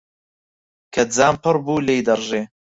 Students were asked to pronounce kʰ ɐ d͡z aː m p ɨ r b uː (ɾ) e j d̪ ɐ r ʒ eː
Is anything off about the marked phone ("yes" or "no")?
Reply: yes